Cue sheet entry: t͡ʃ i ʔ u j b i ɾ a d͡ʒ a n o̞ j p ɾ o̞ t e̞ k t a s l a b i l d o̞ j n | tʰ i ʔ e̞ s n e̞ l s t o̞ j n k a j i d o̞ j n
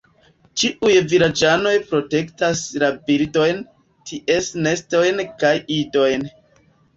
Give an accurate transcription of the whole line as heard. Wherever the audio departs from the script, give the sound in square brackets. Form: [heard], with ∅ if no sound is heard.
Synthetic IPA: t͡ʃ i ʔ u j [v] i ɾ a d͡ʒ a n o̞ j p ɾ o̞ t e̞ k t a s l a b i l d o̞ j n | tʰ i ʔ e̞ s n e̞ [∅] s t o̞ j n k a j i d o̞ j n